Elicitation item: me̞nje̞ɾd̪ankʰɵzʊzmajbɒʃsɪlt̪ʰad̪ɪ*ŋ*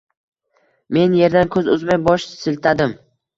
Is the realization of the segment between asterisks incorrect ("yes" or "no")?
yes